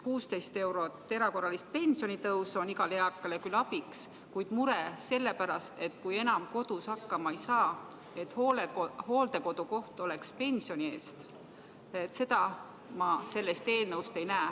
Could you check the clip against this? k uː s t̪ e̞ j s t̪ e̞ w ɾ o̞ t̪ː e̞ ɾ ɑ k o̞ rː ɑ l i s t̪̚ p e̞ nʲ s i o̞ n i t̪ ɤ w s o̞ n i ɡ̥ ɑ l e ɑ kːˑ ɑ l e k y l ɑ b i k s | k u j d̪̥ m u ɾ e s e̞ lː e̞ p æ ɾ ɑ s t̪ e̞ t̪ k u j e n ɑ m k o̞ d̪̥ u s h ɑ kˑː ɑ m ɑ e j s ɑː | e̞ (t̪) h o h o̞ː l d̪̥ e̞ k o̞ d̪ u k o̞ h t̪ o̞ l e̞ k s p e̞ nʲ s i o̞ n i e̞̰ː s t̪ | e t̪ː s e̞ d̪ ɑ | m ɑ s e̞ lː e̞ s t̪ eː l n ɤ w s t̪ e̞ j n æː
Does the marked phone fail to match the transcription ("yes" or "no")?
no